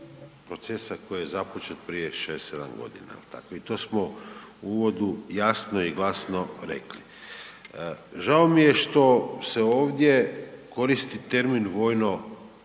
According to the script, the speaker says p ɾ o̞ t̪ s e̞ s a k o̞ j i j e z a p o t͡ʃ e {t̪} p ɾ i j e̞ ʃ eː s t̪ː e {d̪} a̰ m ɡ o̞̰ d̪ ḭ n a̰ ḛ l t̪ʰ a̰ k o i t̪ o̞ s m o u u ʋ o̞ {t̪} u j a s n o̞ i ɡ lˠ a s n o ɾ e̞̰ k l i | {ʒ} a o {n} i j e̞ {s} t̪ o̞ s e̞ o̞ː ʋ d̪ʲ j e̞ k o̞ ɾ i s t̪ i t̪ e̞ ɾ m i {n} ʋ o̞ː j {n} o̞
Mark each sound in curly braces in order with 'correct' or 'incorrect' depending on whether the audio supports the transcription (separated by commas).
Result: correct, correct, incorrect, correct, incorrect, incorrect, correct, correct